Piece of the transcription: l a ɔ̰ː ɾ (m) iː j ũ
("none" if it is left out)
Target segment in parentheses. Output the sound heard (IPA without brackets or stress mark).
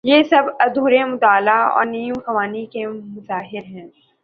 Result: n